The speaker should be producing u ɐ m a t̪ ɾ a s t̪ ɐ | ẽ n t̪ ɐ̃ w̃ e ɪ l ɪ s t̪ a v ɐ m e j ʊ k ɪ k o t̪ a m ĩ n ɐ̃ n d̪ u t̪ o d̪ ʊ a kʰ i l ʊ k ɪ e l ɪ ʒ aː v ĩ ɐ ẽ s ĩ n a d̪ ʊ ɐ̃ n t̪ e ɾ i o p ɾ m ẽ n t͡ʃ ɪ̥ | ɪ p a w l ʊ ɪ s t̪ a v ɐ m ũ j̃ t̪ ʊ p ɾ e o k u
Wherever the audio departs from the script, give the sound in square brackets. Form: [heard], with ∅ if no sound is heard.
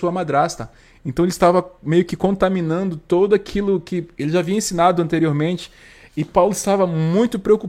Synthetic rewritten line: u ɐ m a [d̪] ɾ a s t̪ ɐ | ẽ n t̪ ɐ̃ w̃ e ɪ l ɪ s t̪ a v ɐ m e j ʊ k ɪ k [õ] t̪ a m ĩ n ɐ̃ n d̪ [ʊ] t̪ o d̪ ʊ a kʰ i l ʊ k ɪ e l ɪ ʒ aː v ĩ ɐ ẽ s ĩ n a d̪ ʊ ɐ̃ n t̪ e ɾ i o [∅] ɾ m ẽ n t͡ʃ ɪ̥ | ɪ p a w l ʊ ɪ s t̪ a v ɐ m ũ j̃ t̪ ʊ p ɾ e o k u